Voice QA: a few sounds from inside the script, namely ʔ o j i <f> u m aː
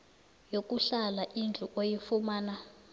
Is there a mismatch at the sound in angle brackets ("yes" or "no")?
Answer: no